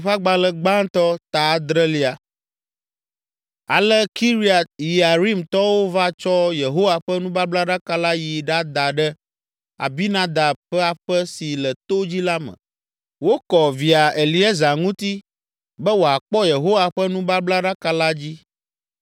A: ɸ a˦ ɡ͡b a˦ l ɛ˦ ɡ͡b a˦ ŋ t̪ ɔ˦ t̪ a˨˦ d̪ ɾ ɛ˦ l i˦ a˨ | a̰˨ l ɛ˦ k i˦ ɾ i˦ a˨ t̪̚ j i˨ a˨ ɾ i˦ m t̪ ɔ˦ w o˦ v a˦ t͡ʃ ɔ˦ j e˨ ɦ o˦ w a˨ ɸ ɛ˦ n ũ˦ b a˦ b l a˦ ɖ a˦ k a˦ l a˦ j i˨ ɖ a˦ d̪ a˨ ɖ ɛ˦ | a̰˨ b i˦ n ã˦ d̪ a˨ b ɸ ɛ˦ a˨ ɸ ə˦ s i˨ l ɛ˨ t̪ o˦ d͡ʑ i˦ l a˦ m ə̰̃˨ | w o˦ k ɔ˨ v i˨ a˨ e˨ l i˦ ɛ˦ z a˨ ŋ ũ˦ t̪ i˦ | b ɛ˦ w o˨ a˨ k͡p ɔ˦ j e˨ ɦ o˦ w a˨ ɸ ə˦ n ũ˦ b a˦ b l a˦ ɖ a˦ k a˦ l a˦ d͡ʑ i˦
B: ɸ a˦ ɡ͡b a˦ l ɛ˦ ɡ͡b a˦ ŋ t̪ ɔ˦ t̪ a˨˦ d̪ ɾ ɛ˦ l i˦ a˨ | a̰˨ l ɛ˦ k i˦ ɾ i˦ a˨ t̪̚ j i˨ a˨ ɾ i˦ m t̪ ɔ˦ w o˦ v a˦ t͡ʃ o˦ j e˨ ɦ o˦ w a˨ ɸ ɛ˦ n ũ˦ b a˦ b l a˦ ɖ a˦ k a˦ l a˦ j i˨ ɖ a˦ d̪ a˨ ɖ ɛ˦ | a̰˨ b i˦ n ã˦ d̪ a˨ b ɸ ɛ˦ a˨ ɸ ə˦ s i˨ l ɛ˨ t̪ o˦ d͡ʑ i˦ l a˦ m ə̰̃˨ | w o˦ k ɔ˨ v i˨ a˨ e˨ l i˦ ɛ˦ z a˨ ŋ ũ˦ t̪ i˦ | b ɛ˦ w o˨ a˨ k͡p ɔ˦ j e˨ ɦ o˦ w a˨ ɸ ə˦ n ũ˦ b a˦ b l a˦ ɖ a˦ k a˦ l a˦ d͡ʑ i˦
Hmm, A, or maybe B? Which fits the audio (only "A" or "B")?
A